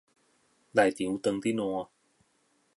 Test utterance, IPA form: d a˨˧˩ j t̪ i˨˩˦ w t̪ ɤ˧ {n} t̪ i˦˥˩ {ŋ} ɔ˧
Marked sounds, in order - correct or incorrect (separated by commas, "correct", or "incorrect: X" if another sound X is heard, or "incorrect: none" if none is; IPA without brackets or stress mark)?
incorrect: ŋ, incorrect: n